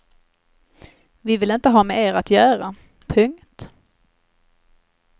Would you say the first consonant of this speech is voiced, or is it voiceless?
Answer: voiced